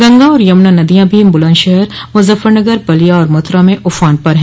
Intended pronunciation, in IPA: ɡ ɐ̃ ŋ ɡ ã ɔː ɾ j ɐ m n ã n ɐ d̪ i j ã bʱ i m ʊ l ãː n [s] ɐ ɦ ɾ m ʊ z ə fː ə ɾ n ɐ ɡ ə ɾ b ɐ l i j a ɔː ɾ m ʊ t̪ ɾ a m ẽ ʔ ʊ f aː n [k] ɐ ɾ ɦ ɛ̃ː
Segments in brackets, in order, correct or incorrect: incorrect: ʃ, incorrect: p

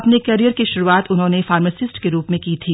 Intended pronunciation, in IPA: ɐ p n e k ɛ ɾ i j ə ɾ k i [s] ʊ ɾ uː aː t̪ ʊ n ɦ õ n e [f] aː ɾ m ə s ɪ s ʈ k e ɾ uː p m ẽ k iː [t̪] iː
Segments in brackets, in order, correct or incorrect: incorrect: ʃ, correct, incorrect: t̪ʰ

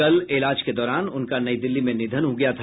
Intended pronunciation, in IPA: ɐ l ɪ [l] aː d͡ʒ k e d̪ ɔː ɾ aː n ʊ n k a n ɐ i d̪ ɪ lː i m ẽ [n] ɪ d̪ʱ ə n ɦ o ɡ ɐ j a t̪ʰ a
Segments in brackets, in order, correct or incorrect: correct, correct

